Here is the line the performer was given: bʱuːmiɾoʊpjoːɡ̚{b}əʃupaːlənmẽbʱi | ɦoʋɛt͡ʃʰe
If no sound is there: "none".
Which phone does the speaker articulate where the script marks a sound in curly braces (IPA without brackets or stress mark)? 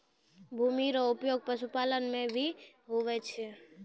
p